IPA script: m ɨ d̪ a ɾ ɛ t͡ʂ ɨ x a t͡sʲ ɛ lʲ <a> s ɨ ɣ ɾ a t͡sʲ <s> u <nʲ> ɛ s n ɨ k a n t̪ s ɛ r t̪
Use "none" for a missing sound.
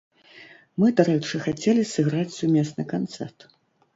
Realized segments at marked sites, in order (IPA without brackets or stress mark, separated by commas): i, s, mʲ